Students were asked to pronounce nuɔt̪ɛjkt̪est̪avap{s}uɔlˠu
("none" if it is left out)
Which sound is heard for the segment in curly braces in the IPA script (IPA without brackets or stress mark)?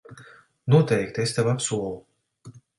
s